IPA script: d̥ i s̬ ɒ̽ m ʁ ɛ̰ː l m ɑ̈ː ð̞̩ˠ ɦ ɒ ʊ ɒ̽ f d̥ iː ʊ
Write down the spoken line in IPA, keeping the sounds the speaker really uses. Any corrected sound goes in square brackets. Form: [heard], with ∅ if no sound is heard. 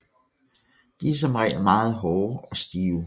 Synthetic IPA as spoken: d̥ i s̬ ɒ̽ m ʁ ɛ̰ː l m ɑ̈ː ð̞̩ˠ ɦ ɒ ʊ ɒ̽ [s] d̥ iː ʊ